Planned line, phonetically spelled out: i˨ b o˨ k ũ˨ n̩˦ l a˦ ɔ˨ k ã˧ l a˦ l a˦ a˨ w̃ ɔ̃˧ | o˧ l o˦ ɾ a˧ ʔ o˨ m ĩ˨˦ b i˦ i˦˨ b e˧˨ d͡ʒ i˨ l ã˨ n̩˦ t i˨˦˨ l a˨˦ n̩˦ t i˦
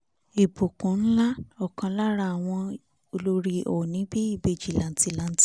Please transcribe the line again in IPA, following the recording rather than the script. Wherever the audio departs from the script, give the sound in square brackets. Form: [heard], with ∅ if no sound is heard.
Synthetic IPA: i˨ b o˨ k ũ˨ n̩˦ l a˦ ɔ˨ k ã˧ l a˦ [ɾ] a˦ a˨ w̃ ɔ̃˧ | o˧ l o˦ ɾ [i˧] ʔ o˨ [n] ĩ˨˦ b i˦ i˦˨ b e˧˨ d͡ʒ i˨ l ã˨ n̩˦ t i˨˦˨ l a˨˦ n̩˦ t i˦